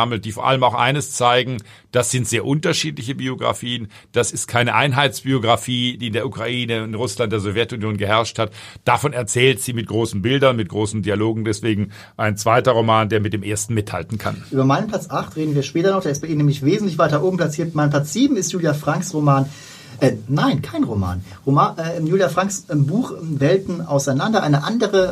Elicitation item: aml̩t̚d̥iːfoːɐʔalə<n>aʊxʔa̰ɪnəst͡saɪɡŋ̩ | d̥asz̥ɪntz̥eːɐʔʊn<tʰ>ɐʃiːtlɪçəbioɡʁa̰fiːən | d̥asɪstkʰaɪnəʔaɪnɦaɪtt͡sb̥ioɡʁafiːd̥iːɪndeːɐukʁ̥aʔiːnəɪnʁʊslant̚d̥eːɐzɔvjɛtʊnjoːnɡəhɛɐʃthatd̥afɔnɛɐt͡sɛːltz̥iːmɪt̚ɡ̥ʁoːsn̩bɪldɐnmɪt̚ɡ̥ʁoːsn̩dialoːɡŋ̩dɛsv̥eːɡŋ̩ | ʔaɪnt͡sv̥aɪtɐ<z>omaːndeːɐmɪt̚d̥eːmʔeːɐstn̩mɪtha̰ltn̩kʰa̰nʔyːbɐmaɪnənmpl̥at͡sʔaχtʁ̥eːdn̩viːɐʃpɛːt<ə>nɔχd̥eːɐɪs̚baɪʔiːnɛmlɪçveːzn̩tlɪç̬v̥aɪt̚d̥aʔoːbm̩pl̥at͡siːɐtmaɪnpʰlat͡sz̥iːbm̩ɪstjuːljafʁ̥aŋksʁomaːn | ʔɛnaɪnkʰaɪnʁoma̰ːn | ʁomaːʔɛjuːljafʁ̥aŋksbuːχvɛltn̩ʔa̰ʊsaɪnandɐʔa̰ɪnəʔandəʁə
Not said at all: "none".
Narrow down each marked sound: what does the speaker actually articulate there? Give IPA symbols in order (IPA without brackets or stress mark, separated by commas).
m, t, ʁ, ɐ